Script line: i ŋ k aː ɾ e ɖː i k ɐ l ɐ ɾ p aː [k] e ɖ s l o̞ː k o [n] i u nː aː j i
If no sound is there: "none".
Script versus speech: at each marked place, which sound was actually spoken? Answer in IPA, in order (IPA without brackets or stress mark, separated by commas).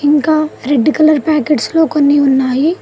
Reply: k, nː